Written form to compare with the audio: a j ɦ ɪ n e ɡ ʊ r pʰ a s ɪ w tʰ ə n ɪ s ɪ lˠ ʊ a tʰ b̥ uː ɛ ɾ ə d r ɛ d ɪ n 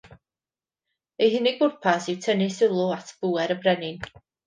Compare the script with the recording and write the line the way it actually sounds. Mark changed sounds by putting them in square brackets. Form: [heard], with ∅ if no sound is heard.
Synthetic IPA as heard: [e] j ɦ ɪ n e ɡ ʊ r pʰ a s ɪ w tʰ ə n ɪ s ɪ lˠ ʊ a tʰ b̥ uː ɛ ɾ ə [b] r ɛ [n] ɪ n